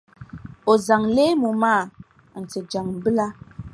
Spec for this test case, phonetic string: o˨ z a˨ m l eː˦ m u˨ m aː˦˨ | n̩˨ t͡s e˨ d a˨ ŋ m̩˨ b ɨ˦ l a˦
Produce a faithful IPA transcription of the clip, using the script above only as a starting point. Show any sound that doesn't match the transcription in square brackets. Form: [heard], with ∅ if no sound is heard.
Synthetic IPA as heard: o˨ z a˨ [ŋ] l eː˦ m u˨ m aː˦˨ | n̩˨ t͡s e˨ [d͡ʒ] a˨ ŋ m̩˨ b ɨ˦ l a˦